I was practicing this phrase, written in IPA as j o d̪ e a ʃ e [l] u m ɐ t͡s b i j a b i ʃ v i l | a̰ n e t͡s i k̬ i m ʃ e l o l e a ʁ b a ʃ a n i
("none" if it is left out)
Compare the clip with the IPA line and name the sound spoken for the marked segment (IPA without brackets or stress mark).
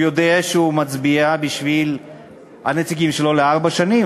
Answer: none